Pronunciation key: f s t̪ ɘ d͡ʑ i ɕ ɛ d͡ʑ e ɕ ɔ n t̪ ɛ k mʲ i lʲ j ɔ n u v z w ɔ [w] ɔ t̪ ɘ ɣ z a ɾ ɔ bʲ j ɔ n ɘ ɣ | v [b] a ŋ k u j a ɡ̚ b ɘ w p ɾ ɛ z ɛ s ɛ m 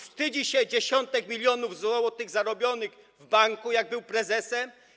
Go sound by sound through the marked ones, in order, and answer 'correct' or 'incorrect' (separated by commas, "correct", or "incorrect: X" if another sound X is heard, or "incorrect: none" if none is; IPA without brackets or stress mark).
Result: correct, correct